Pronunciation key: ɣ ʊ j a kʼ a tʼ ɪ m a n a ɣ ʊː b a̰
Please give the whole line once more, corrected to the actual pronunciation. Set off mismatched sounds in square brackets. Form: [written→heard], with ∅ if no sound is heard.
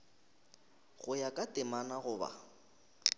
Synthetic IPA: ɣ ʊ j a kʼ a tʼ ɪ m a n a ɣ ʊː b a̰